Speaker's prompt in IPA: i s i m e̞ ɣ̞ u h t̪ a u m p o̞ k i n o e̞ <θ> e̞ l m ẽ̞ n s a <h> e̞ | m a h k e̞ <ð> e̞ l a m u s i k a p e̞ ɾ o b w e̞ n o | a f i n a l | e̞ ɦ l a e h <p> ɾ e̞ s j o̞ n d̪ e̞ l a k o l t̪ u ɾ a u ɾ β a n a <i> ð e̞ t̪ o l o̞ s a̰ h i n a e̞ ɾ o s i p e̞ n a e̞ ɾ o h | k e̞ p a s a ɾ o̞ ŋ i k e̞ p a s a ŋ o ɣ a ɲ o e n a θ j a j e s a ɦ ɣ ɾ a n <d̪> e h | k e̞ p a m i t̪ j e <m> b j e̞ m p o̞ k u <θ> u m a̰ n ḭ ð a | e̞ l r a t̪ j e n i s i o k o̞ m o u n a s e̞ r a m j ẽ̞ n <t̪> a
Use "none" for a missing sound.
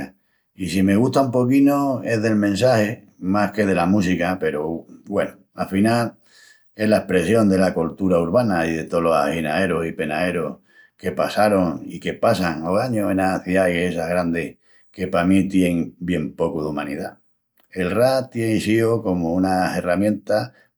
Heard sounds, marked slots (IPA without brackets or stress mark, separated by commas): ð, h, ð, p, i, d̪, ŋ, ð, t̪